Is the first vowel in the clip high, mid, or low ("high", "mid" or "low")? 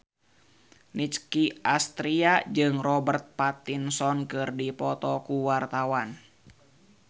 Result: high